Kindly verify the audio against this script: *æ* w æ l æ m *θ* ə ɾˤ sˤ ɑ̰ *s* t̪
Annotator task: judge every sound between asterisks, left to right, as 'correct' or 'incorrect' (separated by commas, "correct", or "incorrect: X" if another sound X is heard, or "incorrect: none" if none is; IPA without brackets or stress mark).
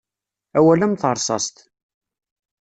correct, correct, correct